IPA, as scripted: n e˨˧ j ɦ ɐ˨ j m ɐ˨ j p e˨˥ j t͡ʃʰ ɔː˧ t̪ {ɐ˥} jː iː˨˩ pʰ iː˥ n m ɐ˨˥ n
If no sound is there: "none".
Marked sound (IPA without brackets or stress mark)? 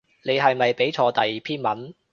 ɐ˨